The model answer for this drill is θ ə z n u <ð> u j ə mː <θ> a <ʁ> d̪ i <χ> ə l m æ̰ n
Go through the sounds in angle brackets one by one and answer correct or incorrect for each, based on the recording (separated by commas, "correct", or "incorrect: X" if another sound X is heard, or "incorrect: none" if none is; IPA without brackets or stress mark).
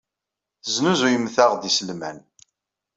incorrect: z, correct, correct, incorrect: s